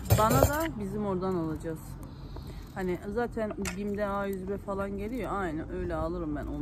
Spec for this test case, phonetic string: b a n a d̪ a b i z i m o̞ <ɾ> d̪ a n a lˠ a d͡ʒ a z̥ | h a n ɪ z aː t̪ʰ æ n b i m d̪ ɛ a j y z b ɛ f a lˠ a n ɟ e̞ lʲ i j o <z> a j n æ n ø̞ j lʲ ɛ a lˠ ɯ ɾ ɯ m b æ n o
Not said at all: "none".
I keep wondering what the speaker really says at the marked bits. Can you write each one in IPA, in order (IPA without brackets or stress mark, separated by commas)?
ɾ, none